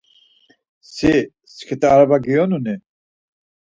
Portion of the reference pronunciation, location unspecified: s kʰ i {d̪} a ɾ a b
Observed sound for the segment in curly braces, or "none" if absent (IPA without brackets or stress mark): t̪